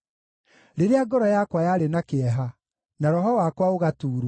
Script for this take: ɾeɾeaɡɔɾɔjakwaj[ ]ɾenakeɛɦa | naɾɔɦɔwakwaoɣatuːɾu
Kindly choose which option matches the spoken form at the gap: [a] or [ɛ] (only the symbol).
a